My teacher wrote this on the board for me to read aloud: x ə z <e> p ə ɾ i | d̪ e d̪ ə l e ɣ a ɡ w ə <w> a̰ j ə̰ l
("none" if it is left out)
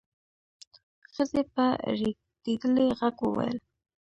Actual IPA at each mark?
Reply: e, w

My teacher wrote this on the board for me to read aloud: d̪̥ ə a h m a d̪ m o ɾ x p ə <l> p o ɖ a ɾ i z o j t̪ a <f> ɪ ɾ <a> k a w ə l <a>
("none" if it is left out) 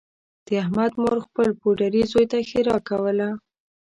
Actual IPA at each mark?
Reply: l, x, ɑ, a

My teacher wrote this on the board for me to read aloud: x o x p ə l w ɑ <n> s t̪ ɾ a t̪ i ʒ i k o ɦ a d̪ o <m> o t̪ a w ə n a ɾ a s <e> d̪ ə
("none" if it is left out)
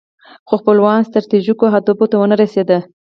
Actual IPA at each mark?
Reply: n, b, e

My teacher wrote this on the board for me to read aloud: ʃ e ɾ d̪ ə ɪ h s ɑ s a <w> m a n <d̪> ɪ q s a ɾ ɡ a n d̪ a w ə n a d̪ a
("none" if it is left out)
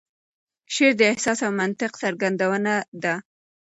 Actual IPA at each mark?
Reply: w, t̪

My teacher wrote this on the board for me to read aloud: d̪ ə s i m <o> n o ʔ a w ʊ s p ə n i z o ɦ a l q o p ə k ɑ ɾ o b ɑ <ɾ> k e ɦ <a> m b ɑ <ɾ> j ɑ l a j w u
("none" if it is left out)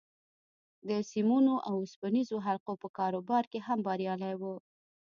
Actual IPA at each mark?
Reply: u, ɾ, a, ɾ

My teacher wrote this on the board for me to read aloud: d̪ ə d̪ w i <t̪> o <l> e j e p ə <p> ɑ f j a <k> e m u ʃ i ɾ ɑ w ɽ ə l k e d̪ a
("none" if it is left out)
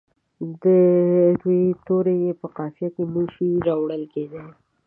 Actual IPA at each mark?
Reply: t̪, ɾ, q, k

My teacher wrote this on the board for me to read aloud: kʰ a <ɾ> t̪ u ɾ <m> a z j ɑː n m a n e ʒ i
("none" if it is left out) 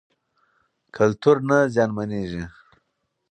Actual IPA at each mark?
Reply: l, n

